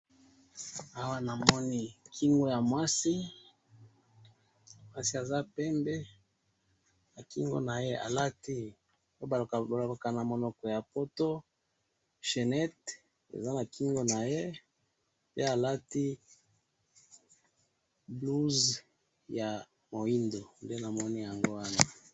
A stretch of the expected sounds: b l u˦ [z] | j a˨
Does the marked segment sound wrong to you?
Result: no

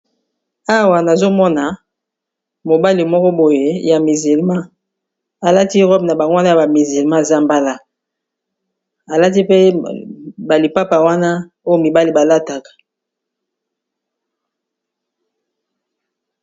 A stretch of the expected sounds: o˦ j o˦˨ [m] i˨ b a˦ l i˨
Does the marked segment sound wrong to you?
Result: no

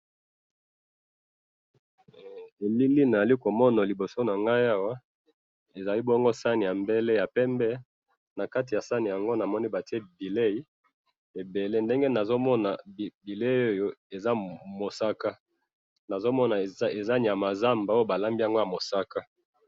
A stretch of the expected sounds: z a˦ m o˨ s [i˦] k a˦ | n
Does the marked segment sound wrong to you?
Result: yes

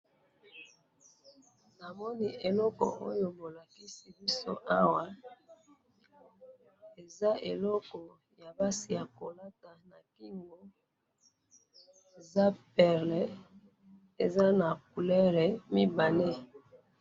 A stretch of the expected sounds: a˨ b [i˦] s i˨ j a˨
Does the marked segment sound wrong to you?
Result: yes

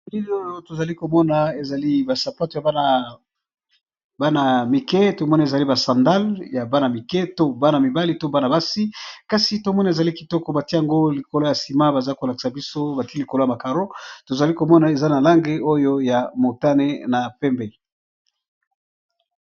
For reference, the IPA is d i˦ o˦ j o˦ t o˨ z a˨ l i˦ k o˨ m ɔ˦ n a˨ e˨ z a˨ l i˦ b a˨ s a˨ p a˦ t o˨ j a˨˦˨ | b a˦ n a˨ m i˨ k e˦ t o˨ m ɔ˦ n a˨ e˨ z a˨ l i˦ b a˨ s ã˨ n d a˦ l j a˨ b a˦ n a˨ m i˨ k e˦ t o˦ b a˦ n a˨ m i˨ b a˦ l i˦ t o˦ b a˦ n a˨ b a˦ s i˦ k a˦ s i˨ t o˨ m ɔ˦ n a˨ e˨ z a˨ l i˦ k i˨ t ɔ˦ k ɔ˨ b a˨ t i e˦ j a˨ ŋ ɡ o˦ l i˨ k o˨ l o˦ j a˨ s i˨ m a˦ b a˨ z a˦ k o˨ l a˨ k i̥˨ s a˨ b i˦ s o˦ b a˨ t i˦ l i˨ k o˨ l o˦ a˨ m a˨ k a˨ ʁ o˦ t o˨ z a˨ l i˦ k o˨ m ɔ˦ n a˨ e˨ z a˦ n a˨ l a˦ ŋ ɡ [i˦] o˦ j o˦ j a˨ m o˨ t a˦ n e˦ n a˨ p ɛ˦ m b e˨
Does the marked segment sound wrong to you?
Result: yes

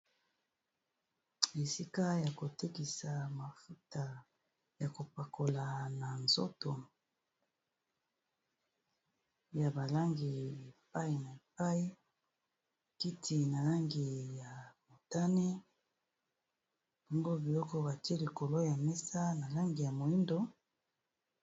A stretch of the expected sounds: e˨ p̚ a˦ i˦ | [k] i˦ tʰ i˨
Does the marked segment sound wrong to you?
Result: no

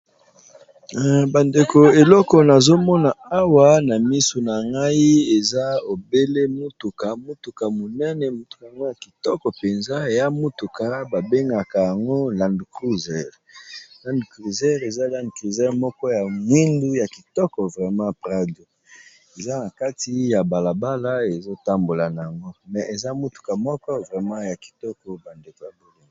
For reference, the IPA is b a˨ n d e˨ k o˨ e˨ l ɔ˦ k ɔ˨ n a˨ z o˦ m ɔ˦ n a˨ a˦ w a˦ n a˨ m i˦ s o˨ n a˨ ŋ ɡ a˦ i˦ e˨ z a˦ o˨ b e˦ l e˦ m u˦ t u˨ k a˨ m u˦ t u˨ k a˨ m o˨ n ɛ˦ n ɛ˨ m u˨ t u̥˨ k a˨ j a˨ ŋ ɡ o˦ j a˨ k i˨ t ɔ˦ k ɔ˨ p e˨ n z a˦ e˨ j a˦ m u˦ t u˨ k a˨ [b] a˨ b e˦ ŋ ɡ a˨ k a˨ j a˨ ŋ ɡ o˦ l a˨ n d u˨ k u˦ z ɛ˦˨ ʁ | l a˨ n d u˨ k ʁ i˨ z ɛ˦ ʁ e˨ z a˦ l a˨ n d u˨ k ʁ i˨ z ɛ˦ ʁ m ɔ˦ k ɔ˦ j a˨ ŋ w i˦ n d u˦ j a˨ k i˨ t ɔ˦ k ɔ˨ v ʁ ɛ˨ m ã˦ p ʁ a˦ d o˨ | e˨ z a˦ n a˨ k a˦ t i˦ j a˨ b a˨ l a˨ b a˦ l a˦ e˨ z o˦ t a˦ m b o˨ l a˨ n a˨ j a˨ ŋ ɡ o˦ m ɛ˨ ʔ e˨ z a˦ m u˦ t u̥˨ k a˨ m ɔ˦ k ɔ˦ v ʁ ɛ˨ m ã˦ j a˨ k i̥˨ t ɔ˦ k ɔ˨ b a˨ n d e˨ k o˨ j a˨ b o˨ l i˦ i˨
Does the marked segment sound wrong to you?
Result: no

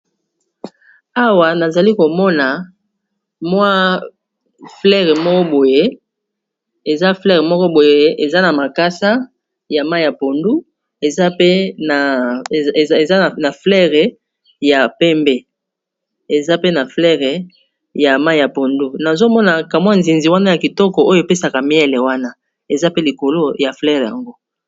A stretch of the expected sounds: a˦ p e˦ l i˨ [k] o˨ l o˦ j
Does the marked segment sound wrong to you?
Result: no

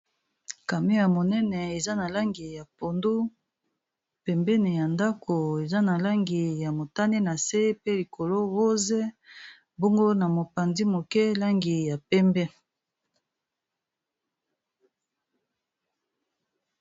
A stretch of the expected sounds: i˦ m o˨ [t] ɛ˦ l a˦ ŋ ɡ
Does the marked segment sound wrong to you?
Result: yes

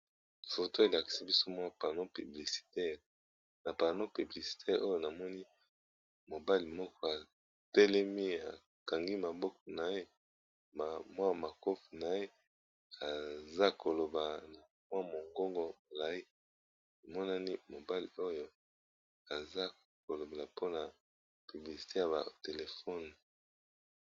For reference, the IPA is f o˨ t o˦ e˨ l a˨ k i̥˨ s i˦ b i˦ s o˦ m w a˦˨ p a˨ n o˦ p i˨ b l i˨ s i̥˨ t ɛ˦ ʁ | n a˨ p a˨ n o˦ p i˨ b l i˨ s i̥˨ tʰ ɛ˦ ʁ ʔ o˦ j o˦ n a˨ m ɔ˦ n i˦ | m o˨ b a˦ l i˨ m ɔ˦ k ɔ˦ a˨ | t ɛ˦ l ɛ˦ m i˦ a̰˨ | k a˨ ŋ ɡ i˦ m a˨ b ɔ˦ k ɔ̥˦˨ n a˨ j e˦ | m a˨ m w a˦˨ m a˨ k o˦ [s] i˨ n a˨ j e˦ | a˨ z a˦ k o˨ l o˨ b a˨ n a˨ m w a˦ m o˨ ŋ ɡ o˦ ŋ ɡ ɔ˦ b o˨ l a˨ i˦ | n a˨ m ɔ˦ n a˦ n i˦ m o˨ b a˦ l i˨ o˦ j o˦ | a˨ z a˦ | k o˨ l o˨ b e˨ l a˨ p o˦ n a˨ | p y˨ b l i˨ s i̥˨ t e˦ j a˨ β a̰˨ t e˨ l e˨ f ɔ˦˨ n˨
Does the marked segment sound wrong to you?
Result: yes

